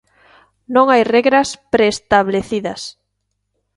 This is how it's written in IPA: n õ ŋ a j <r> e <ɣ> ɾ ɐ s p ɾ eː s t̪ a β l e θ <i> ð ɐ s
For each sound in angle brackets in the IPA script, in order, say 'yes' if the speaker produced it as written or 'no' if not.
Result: yes, yes, yes

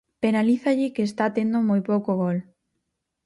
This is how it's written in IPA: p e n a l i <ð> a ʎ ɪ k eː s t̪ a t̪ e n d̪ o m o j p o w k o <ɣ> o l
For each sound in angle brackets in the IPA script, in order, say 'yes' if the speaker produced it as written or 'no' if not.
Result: no, yes

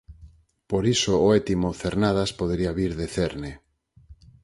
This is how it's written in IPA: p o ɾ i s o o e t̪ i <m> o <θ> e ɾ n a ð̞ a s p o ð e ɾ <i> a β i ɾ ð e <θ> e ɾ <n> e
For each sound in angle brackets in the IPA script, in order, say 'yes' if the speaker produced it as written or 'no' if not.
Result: yes, yes, yes, yes, yes

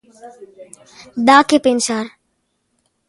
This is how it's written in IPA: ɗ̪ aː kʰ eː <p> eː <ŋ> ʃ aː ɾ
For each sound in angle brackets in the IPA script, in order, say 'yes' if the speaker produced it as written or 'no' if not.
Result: yes, no

